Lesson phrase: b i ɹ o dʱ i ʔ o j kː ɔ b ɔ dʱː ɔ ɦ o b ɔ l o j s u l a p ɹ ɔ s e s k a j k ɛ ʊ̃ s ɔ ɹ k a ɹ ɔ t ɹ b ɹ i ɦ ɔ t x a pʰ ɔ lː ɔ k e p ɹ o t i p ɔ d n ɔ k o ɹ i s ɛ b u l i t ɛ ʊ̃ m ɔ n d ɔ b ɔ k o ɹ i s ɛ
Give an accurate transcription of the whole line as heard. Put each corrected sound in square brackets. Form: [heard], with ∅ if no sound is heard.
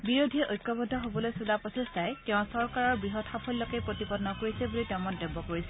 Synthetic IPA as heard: b i ɹ o dʱ i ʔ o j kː ɔ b ɔ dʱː ɔ ɦ o b ɔ l o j s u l a p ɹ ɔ s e s [t] a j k ɛ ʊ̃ s ɔ ɹ k a ɹ ɔ [∅] ɹ b ɹ i ɦ ɔ t x a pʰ ɔ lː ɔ k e p ɹ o t i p ɔ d n ɔ k o ɹ i s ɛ b u l i t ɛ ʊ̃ m ɔ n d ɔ b ɔ k o ɹ i s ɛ

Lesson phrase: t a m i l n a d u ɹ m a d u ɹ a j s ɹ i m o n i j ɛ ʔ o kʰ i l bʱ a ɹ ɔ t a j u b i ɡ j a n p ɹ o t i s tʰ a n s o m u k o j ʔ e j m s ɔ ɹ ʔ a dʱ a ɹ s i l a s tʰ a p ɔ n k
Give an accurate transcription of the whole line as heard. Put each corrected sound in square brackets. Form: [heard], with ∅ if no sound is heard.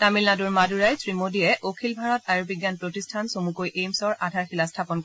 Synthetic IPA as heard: t a m i l n a d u ɹ m a d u ɹ a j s ɹ i m o [d] i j ɛ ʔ o kʰ i l bʱ a ɹ ɔ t a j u b i ɡ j a n p ɹ o t i s tʰ a n s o m u k o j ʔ e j m s ɔ ɹ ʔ a dʱ a ɹ [x] i l a s tʰ a p ɔ n k

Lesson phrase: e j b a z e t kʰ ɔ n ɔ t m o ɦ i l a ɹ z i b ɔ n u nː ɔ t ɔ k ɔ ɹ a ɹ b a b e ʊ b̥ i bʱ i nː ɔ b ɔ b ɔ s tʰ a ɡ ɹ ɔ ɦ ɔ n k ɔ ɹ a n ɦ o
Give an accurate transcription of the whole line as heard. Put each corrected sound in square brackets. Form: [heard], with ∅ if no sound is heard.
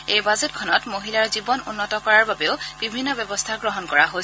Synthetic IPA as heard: e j b a z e t kʰ ɔ n ɔ t m o ɦ i l a ɹ z i b ɔ n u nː ɔ t ɔ k ɔ ɹ a ɹ b a b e ʊ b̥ i bʱ i nː ɔ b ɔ b ɔ s tʰ a ɡ ɹ ɔ ɦ ɔ n k ɔ ɹ a [∅] ɦ o

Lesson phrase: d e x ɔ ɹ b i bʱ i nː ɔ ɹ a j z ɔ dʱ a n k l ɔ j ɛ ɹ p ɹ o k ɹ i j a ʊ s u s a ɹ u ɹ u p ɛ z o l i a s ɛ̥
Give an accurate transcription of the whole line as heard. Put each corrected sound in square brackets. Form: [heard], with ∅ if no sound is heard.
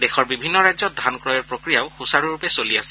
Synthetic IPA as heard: d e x ɔ ɹ b i bʱ i nː ɔ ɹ a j z ɔ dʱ a n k [ɹ] ɔ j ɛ ɹ p ɹ o k ɹ i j a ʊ [x] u s a ɹ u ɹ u p ɛ [s] o l i a s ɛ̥

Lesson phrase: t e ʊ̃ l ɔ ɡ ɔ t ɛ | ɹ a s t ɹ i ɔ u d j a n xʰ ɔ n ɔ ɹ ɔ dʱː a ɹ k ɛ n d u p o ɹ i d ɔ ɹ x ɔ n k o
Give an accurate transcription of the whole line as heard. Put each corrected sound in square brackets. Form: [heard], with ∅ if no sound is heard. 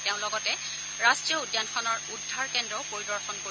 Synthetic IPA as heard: t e ʊ̃ l ɔ ɡ ɔ t ɛ | ɹ a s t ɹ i ɔ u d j a n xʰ ɔ n ɔ ɹ [u] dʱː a ɹ k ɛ n d [ɔ] p o ɹ i d ɔ ɹ x ɔ n k o

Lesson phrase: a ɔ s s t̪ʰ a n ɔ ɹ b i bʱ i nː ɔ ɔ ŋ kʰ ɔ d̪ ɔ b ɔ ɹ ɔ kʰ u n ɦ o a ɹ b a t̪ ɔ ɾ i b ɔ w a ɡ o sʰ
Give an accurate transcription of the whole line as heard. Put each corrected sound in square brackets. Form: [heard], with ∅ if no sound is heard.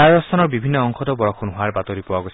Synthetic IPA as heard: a ɔ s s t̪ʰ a n ɔ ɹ b i bʱ i nː ɔ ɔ ŋ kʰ ɔ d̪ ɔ b ɔ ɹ ɔ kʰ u n ɦ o a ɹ b a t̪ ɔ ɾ i [p] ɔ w a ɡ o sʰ

